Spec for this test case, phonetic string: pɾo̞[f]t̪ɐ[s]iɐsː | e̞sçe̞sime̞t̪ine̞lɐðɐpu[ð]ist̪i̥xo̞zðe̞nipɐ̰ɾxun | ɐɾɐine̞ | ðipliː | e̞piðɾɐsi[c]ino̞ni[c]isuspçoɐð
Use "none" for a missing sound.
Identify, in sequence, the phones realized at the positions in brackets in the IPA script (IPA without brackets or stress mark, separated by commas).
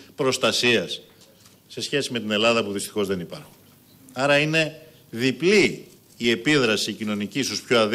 s, s, ð, c, c